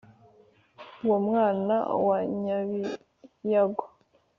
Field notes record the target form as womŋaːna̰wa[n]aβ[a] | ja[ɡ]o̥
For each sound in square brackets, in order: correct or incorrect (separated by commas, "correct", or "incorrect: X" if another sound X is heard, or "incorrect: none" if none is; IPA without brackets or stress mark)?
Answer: incorrect: ɲ, incorrect: i, correct